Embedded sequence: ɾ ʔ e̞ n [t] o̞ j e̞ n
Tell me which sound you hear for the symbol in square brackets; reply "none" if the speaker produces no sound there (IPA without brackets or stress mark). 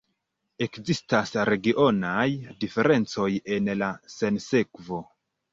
t͡s